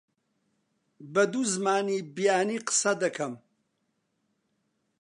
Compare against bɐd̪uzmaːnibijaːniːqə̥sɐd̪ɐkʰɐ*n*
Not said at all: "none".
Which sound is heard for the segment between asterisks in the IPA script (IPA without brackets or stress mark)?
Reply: m